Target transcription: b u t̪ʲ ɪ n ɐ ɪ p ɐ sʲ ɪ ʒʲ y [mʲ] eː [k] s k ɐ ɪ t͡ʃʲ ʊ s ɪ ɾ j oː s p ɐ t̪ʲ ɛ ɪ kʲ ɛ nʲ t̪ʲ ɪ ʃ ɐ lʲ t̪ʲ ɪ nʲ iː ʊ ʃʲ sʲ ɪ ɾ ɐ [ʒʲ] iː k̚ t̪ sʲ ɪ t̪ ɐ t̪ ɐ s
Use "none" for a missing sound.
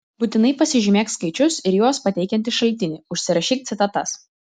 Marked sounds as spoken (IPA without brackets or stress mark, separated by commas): mʲ, k, ʃʲ